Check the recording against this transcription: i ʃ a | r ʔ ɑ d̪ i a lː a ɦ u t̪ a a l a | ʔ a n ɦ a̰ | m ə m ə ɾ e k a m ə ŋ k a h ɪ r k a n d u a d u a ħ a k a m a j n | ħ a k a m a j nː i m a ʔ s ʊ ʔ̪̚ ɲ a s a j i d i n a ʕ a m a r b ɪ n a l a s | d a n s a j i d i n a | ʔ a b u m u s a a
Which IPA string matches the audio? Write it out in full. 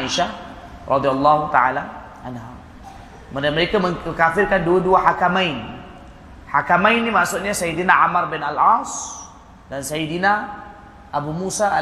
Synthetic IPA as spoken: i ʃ a | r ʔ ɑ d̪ i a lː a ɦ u t̪ a a l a | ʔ a n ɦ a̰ | m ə m ə ɾ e k a m ə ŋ k a f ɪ r k a n d u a d u a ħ a k a m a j n | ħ a k a m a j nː i m a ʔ s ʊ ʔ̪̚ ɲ a s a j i d i n a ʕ a m a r b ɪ n a l a s | d a n s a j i d i n a | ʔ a b u m u s a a